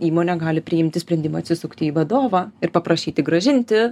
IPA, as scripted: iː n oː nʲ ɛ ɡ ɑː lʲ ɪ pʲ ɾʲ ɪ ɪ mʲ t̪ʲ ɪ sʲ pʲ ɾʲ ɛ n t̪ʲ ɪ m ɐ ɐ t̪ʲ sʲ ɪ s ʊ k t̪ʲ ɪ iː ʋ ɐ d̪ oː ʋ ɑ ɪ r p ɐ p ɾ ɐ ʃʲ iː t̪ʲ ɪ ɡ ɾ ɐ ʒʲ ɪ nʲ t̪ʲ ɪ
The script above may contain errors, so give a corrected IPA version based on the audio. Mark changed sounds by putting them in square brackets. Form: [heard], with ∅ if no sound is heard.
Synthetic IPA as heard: iː [m] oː nʲ ɛ ɡ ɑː lʲ ɪ pʲ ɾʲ ɪ ɪ mʲ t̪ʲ ɪ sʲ pʲ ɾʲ ɛ n [d̪ʲ] ɪ m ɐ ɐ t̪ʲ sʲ ɪ s ʊ k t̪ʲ ɪ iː ʋ ɐ d̪ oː ʋ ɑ ɪ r p ɐ p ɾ ɐ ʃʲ iː t̪ʲ ɪ ɡ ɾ ɐ ʒʲ ɪ nʲ t̪ʲ ɪ